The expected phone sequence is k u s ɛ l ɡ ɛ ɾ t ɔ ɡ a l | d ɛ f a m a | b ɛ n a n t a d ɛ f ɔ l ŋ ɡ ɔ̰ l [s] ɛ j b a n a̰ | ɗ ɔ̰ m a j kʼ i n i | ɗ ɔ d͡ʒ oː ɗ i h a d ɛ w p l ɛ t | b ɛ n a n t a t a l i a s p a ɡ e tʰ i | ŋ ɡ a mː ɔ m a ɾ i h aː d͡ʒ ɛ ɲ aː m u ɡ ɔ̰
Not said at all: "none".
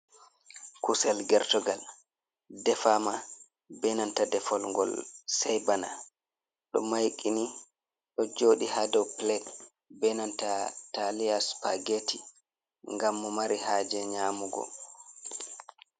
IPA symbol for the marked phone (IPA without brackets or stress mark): s